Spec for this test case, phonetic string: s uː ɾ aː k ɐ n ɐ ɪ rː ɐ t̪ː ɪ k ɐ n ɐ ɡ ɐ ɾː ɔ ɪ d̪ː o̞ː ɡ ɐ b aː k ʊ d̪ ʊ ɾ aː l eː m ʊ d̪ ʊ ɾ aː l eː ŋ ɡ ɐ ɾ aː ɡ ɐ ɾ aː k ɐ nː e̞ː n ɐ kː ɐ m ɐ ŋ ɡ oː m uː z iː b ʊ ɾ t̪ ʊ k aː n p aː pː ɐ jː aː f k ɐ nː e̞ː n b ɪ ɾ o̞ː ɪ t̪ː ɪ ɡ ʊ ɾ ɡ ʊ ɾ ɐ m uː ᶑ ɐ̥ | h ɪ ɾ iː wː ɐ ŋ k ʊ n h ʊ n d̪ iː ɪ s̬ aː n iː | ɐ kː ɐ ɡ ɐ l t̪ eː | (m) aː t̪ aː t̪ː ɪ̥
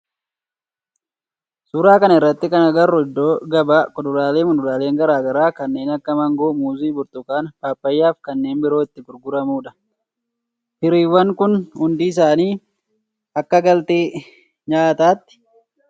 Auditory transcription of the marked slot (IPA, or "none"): ɲ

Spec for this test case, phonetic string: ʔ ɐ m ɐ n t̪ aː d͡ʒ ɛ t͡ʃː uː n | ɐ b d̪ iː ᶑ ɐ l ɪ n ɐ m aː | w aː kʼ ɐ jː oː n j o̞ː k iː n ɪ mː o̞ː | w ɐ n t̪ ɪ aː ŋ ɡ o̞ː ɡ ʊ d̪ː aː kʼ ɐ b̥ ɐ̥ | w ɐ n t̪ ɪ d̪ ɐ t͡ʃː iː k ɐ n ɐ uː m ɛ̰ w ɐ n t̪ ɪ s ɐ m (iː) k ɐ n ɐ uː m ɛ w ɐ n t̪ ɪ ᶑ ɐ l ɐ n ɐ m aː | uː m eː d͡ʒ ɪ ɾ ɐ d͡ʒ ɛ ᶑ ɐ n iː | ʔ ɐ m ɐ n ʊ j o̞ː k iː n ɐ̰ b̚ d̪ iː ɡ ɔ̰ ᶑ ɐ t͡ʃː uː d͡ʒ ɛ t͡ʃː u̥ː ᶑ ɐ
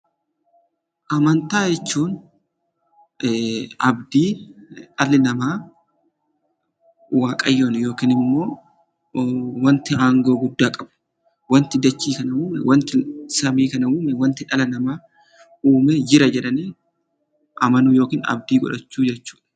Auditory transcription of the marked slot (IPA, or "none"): iː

